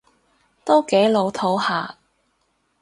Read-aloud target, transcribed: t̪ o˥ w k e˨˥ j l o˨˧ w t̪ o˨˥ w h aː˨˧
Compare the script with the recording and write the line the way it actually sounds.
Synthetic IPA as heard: t̪ o˥ w k e˨˥ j l o˨˧ w t̪ʰ o˨˥ w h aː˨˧